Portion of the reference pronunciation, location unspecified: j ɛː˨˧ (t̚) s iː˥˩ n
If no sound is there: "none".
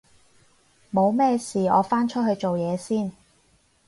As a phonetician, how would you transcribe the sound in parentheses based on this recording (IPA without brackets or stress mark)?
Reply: none